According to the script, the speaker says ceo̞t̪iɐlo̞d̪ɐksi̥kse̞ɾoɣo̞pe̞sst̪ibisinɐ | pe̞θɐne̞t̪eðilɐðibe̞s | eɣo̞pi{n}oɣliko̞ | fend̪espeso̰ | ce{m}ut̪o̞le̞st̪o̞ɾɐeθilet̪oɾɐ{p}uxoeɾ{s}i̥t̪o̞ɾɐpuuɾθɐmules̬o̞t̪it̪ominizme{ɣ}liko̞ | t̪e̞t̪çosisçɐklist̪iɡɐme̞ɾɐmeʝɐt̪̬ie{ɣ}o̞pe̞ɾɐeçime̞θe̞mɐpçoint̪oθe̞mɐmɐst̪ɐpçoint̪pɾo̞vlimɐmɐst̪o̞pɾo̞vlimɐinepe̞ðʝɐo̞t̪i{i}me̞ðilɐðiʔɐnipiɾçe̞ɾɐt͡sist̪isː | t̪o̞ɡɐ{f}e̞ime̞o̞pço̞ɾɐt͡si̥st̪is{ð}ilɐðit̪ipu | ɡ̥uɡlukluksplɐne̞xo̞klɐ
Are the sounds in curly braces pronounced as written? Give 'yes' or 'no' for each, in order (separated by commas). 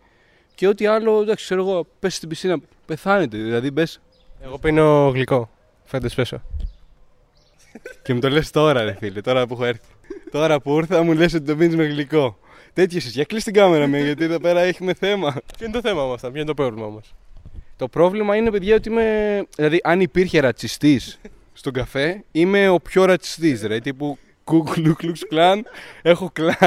yes, yes, yes, no, yes, no, yes, yes, yes